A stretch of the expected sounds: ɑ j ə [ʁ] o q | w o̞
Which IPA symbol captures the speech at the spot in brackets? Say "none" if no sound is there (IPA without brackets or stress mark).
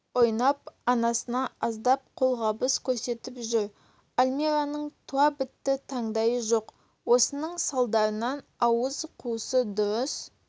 ʒ